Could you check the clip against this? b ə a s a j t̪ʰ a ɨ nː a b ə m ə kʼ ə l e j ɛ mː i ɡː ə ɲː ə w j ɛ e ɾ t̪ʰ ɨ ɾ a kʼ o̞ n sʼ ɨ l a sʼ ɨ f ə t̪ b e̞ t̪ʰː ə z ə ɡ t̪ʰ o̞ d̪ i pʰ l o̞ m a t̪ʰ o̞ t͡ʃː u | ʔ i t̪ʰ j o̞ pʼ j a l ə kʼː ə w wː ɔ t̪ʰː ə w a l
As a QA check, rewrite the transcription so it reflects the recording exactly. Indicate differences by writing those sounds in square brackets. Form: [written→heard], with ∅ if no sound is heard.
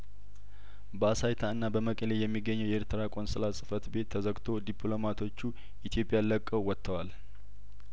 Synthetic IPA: b ə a s a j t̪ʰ a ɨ nː a b ə m ə kʼ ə l e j ɛ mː i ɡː ə ɲː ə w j ɛ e ɾ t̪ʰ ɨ ɾ a kʼ o̞ n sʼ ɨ l a sʼ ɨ f ə t̪ b e̞ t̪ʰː ə z ə ɡ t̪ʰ o̞ d̪ i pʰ l o̞ m a t̪ʰ o̞ t͡ʃː u | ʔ i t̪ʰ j o̞ pʼ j a l ə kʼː ə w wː ɔ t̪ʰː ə w a l